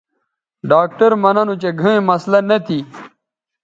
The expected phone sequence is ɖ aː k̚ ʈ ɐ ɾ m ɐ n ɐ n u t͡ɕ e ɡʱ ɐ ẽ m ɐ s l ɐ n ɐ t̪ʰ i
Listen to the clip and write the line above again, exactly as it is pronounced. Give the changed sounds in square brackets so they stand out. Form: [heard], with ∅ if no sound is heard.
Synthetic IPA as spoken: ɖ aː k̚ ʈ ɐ ɾ m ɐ n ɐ n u t͡ɕ e ɡʱ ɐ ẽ m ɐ s l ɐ n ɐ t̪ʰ i